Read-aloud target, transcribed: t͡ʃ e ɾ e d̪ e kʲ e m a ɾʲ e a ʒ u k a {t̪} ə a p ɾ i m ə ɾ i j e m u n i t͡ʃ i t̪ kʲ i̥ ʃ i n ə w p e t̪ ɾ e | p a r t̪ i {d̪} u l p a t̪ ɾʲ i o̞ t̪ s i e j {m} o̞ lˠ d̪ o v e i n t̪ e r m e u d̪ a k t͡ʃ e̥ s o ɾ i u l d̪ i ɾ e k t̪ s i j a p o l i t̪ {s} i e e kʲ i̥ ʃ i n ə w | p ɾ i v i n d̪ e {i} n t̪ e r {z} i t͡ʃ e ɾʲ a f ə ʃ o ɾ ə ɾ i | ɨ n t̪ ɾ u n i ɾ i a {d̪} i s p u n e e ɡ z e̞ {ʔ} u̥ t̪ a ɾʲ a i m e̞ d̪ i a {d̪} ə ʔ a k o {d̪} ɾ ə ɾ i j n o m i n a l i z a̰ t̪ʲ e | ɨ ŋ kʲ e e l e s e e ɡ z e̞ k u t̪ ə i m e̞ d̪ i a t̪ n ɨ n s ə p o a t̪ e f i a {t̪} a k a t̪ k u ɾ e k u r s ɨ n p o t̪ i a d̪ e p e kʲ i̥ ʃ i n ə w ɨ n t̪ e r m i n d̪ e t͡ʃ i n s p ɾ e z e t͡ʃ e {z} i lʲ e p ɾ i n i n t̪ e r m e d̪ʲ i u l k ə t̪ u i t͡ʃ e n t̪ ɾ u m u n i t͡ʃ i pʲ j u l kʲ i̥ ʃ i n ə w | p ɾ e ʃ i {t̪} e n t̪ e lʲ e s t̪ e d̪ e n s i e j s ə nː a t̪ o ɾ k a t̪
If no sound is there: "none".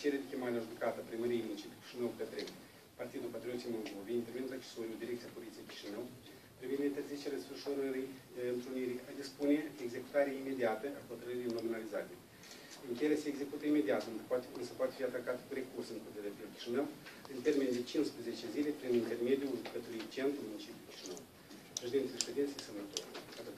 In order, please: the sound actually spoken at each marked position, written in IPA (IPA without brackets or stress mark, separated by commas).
t̪, d̪, m, s, i, z, d̪, k, t̪, t̪, t̪, z, d̪